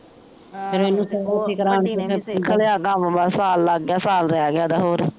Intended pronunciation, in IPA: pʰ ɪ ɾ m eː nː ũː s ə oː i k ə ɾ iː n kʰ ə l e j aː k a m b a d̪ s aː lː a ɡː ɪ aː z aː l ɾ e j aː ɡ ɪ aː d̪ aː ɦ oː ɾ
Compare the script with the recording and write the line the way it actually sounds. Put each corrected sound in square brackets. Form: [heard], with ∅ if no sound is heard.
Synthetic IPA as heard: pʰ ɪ ɾ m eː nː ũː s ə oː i k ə ɾ [aː] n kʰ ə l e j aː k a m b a [∅] s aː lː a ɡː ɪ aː [s] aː l ɾ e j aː ɡ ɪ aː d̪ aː ɦ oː ɾ